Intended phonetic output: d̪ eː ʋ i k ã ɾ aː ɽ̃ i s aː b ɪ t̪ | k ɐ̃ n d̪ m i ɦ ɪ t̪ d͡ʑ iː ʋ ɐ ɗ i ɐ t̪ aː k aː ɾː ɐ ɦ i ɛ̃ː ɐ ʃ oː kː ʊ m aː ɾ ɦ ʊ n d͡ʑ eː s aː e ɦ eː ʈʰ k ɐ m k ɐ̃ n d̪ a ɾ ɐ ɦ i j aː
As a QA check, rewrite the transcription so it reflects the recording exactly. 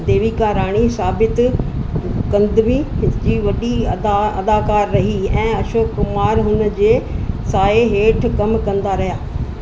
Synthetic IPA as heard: d̪ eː ʋ i k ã ɾ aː ɽ̃ i s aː b ɪ t̪ | k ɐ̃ n d̪ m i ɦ ɪ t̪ d͡ʑ iː ʋ ɐ ɗ i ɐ d̪ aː k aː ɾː ɐ ɦ i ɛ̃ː ɐ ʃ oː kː ʊ m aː ɾ ɦ ʊ n d͡ʑ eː s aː e ɦ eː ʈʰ k ɐ m k ɐ̃ n d̪ a ɾ ɐ ɦ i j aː